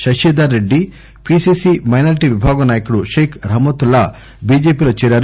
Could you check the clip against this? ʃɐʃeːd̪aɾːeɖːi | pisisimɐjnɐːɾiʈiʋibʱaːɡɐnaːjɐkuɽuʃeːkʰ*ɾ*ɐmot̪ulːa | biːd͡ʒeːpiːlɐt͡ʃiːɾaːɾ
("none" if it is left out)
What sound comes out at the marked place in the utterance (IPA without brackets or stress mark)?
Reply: ɾ